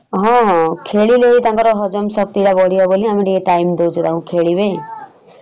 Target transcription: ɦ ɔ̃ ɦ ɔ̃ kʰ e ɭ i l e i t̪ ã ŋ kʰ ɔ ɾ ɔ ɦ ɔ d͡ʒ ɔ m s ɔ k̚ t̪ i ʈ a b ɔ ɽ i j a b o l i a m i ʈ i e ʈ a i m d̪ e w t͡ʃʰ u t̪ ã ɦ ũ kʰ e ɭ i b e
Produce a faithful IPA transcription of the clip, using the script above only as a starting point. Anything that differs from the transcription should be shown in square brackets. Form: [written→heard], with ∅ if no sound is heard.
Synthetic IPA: ɦ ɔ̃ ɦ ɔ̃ kʰ e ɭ i l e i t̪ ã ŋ [kʰ→k] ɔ ɾ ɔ ɦ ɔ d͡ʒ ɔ m s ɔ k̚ t̪ i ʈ a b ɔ ɽ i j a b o l i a m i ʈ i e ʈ a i m d̪ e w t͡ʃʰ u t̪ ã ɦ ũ kʰ e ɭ i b e